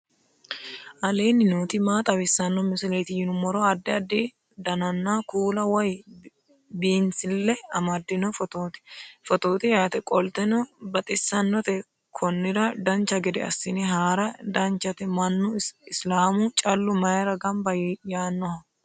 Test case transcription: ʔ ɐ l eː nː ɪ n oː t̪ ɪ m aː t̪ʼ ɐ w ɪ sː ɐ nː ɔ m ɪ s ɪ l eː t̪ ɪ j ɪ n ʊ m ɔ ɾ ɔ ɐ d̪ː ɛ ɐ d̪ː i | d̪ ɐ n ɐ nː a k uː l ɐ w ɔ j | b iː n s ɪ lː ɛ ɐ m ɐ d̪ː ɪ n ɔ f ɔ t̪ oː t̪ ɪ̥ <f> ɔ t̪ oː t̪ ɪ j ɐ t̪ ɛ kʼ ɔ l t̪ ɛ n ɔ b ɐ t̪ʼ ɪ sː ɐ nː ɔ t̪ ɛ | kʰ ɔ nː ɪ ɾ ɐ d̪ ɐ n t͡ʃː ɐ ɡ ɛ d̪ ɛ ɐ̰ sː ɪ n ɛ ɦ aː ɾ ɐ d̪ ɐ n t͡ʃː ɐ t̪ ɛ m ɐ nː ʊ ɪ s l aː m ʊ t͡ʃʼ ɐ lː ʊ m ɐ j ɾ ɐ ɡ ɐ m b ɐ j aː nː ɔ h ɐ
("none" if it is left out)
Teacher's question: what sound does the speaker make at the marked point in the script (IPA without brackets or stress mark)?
f